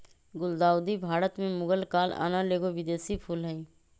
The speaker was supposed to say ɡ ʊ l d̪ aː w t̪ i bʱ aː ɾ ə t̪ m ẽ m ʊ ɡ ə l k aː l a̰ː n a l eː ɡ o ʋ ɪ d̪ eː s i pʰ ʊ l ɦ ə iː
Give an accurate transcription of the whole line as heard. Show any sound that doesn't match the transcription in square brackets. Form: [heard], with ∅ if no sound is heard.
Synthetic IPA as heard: ɡ ʊ l d̪ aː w [d̪] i bʱ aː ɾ ə t̪ m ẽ m ʊ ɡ ə l k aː l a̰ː n a l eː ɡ o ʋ ɪ d̪ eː s i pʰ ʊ l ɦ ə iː